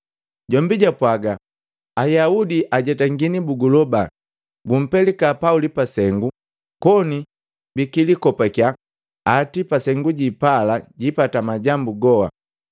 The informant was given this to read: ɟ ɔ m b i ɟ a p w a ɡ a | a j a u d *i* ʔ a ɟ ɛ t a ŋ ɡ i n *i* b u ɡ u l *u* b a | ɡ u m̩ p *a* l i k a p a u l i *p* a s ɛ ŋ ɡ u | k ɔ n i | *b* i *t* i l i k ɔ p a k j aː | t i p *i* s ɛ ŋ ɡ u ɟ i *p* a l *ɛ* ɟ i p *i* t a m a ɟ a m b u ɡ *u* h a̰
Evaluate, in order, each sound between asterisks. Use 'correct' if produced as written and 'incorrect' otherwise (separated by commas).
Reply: correct, correct, incorrect, incorrect, correct, correct, incorrect, incorrect, correct, incorrect, incorrect, incorrect